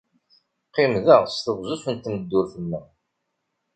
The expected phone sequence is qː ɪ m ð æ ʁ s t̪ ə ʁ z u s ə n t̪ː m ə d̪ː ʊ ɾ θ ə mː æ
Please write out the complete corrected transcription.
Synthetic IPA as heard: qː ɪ m ð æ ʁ s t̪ ə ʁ z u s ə n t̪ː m ə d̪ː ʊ ɾ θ ə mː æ